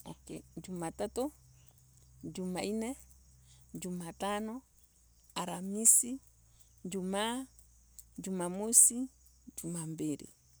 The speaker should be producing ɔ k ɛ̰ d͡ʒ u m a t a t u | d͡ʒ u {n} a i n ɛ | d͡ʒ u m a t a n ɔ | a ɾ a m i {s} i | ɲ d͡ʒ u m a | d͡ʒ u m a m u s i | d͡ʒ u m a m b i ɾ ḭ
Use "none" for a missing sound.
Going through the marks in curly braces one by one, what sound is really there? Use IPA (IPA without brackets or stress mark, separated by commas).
m, s